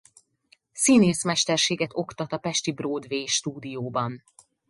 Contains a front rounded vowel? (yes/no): no